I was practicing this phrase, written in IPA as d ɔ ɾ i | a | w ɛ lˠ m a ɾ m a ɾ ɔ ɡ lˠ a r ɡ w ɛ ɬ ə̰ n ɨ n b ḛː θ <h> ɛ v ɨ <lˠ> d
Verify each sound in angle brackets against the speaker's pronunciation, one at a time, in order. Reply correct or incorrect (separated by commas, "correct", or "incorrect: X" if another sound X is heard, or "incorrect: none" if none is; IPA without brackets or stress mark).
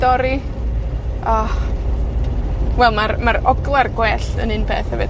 correct, incorrect: none